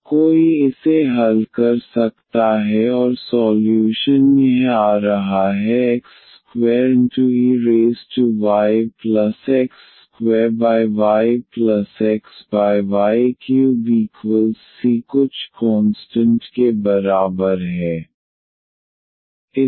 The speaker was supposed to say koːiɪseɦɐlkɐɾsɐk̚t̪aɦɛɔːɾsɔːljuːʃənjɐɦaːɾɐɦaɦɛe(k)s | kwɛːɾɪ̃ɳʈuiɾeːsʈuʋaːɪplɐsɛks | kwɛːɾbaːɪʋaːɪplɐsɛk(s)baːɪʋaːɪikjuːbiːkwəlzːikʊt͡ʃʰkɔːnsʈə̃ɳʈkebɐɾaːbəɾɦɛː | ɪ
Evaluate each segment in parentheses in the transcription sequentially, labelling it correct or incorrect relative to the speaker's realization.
correct, correct

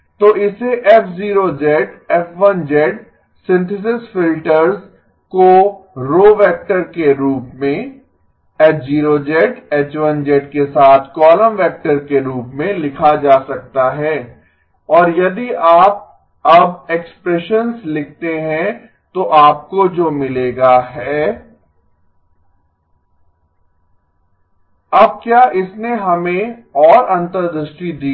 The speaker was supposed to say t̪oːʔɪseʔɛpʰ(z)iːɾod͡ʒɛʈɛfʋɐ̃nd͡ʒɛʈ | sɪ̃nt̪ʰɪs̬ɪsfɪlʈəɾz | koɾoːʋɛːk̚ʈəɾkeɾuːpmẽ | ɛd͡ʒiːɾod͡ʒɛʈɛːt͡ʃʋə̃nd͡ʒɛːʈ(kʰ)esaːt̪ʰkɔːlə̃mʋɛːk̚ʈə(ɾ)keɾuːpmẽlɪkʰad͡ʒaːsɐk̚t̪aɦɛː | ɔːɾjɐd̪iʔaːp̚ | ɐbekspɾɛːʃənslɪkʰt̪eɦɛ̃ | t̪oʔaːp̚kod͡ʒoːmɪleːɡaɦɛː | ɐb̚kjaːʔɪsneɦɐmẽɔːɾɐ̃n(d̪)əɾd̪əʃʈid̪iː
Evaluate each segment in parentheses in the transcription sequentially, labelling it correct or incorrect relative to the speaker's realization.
correct, incorrect: k, correct, incorrect: t̪

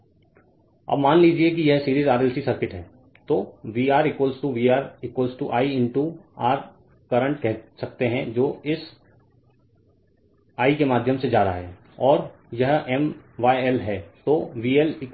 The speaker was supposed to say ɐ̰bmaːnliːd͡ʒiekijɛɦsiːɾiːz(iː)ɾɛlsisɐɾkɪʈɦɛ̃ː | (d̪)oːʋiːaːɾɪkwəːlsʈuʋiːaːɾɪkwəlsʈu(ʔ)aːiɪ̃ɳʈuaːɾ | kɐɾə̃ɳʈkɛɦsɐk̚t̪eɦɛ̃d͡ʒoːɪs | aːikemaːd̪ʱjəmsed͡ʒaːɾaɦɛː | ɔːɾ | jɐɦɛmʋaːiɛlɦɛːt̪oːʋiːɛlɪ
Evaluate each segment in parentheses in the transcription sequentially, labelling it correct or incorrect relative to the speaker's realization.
incorrect: aː, incorrect: t̪, correct

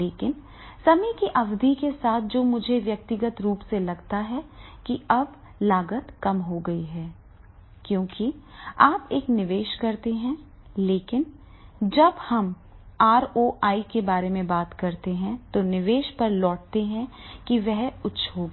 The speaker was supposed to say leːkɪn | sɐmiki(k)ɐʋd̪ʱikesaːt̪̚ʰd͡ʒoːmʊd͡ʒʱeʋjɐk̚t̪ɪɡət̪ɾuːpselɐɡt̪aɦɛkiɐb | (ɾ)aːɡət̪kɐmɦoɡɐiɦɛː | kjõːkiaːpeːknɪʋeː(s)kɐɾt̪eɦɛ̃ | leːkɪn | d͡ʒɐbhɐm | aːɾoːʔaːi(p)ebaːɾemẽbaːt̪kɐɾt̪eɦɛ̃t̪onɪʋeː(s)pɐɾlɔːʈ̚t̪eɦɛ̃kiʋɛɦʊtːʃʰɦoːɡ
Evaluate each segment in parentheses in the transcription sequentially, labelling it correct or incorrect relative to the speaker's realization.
incorrect: ʔ, incorrect: l, incorrect: ʃ, incorrect: k, incorrect: ʃ

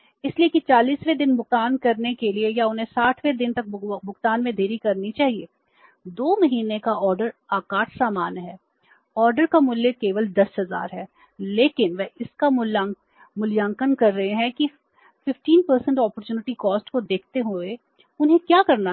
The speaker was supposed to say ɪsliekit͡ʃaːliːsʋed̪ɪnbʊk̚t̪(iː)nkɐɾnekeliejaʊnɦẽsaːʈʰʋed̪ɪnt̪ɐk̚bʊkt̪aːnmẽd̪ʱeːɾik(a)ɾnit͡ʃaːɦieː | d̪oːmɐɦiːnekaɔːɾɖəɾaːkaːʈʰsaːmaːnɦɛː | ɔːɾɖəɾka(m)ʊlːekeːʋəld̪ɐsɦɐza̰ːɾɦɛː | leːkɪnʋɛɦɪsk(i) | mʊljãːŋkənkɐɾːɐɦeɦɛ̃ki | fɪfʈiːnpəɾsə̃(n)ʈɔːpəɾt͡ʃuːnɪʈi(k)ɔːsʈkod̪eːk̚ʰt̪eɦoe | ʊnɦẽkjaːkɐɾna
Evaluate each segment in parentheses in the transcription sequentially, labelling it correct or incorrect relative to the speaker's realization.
incorrect: aː, incorrect: ɐ, correct, incorrect: a, incorrect: ɳ, correct

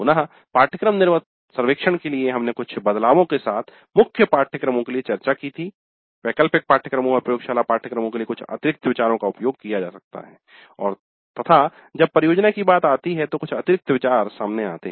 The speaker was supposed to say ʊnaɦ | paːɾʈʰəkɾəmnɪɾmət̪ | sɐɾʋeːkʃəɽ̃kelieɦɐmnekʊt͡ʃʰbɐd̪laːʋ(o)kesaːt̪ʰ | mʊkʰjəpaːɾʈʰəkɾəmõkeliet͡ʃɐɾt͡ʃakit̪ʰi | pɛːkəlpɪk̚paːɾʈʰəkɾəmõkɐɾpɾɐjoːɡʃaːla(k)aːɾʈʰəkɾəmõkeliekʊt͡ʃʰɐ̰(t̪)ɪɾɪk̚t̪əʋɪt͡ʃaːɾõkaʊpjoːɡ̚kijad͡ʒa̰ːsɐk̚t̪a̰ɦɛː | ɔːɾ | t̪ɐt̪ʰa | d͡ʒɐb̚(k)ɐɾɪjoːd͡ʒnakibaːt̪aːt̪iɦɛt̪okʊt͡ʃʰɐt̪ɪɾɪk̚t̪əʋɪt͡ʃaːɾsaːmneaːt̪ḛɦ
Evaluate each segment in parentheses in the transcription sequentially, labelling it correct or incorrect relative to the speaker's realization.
incorrect: õ, incorrect: p, correct, incorrect: p

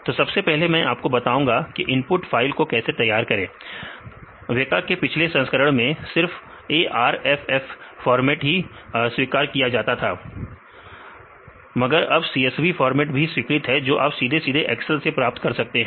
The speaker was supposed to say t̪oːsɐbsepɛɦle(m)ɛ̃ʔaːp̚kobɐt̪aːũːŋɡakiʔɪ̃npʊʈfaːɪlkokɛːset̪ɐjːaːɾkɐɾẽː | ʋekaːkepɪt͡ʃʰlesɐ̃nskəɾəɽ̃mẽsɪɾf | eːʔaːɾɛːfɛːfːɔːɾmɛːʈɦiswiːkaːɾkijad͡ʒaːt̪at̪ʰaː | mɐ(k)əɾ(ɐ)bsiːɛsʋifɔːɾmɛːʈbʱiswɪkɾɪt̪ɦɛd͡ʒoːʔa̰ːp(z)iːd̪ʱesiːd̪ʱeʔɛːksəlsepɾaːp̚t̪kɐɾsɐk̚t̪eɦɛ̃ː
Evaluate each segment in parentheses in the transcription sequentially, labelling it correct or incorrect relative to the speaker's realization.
correct, incorrect: ɡ, correct, incorrect: s

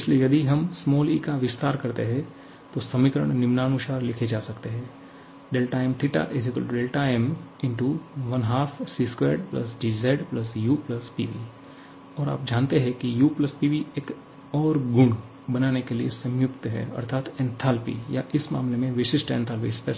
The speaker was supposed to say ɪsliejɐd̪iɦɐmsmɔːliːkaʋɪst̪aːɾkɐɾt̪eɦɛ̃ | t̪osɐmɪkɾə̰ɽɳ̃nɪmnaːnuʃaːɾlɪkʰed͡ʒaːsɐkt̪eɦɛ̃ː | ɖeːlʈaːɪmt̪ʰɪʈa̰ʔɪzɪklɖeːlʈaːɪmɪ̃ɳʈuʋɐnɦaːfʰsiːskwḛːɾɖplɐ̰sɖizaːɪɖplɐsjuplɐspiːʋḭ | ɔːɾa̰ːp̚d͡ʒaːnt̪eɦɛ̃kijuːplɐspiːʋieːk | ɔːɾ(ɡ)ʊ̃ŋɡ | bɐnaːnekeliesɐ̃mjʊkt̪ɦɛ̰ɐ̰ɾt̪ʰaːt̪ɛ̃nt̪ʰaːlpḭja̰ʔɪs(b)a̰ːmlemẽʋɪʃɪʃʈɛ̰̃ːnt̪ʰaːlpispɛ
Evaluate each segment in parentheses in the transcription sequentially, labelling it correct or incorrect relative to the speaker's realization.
correct, incorrect: m

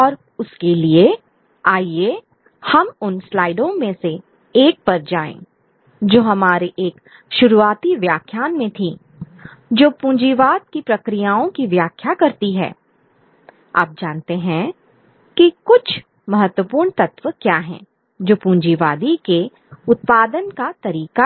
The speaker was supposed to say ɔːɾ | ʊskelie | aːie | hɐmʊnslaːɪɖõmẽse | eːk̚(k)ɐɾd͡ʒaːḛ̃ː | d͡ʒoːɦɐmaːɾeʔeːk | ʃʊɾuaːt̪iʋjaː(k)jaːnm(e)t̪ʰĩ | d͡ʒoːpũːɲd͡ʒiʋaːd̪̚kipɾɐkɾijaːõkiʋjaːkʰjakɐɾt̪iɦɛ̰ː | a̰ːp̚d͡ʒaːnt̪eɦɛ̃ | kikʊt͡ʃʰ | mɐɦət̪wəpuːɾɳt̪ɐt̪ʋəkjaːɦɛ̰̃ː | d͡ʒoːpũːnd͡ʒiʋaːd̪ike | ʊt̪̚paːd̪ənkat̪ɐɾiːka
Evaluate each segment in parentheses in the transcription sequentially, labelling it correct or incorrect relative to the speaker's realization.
incorrect: p, incorrect: kʰ, incorrect: ẽ

